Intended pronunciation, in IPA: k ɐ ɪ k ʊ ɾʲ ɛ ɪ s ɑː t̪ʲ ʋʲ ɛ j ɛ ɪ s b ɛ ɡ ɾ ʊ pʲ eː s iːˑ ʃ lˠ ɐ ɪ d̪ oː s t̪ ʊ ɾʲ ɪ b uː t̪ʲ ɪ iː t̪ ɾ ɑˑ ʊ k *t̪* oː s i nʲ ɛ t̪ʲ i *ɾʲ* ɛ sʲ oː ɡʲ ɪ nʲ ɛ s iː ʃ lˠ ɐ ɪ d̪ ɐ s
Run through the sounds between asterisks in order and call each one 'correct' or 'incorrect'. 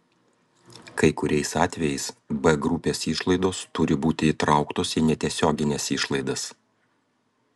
correct, incorrect

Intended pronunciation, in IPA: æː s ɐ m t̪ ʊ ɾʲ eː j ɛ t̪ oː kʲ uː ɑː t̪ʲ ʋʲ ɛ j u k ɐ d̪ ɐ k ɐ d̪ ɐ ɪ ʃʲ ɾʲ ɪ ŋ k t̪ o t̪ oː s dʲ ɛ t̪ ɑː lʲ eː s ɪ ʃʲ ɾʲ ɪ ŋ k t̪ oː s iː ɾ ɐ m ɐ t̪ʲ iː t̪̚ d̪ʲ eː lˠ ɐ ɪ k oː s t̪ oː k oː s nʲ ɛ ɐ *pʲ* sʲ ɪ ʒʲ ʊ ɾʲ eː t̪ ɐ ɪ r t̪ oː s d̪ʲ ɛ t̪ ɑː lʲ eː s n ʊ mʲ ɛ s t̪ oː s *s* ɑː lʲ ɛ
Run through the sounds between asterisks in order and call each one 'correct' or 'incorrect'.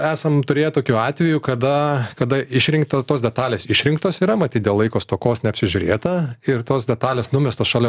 correct, incorrect

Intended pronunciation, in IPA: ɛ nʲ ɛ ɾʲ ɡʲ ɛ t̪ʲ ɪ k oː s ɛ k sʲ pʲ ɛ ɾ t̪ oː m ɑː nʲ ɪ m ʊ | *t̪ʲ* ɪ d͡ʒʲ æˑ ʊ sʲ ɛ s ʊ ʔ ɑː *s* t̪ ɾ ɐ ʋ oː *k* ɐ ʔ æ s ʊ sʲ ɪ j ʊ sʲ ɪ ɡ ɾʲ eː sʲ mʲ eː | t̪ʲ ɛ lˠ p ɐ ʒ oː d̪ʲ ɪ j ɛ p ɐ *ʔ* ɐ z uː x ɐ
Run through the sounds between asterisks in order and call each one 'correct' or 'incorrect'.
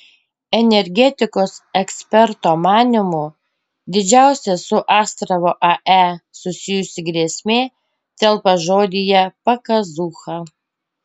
incorrect, correct, incorrect, incorrect

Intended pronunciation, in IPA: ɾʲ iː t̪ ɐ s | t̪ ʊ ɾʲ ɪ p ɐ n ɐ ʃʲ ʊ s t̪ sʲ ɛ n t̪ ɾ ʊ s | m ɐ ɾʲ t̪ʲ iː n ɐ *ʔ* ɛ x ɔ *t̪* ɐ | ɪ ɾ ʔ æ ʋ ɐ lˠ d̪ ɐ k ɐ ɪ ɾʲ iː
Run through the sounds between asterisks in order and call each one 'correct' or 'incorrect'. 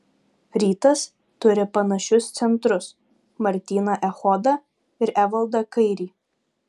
correct, incorrect

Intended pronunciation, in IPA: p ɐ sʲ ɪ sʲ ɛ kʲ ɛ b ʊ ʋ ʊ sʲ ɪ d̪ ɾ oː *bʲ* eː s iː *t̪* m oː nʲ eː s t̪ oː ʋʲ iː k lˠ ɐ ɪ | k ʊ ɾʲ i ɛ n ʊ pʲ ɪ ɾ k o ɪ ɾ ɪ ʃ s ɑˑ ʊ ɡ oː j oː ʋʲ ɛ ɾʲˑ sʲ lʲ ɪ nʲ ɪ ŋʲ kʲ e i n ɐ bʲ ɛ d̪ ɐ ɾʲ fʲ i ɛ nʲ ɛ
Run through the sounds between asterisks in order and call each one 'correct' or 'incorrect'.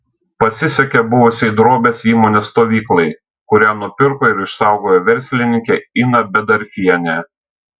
correct, incorrect

